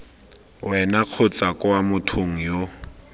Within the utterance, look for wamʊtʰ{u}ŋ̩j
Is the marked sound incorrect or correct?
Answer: incorrect